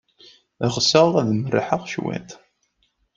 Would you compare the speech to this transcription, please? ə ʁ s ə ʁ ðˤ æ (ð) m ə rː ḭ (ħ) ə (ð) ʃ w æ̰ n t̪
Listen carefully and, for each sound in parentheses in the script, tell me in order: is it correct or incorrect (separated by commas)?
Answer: correct, correct, incorrect